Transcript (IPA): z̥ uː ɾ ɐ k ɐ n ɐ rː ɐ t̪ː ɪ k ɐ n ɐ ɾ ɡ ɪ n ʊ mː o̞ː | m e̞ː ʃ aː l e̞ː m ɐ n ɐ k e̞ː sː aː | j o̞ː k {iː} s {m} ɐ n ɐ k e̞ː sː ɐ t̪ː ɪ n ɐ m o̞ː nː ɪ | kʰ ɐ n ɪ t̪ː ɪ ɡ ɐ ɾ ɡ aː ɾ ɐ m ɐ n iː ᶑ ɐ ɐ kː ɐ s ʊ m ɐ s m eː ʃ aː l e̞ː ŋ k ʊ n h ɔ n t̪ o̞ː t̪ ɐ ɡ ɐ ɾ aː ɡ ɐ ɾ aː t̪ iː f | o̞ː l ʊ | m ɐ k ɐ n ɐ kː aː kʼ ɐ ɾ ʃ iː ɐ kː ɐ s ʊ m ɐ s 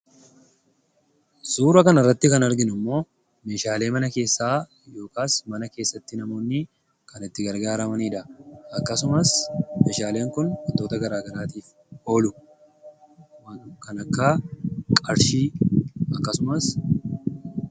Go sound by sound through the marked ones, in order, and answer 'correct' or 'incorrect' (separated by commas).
incorrect, correct